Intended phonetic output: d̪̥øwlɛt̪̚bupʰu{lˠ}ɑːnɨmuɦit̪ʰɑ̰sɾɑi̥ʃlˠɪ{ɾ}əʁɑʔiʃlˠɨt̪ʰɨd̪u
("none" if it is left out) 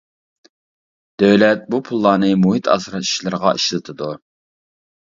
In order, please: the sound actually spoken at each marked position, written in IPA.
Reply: lˠː, ɾ

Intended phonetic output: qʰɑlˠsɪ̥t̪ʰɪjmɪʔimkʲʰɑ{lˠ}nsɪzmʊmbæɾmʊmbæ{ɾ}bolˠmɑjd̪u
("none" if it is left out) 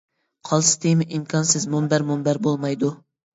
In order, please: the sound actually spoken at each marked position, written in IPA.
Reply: none, ɾ

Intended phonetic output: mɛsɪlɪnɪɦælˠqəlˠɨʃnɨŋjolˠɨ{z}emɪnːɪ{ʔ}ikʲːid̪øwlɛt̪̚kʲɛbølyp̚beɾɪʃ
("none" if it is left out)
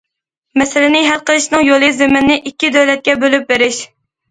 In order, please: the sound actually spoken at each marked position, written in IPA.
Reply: z, ʔ

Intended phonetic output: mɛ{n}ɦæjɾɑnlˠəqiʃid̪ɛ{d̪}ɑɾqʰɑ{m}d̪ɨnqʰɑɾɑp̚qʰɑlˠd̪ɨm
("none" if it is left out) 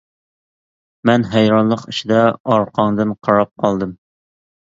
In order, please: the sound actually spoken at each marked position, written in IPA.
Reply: n, none, ŋ

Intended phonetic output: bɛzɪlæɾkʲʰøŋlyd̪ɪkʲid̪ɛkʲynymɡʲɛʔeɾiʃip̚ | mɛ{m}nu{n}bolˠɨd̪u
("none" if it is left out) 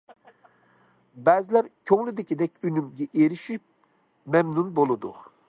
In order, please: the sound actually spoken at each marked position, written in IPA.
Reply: m, n

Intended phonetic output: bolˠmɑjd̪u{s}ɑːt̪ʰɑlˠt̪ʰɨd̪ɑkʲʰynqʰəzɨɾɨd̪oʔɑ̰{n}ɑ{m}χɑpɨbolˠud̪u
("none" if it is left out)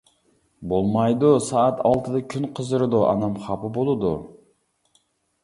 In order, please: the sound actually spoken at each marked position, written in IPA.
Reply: s, n, m

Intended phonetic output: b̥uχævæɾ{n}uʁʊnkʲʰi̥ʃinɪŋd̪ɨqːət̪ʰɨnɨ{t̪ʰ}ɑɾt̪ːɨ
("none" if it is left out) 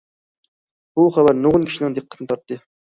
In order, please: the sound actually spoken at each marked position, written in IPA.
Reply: n, t̪

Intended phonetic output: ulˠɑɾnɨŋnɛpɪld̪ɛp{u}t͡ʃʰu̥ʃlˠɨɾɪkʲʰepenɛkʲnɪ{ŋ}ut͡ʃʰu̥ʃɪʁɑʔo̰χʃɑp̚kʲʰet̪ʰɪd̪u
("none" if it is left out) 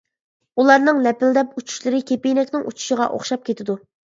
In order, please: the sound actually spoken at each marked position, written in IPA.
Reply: u, ŋ

